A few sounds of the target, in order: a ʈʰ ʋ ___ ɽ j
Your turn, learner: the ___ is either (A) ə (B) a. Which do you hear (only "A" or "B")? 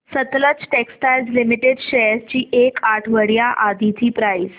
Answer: A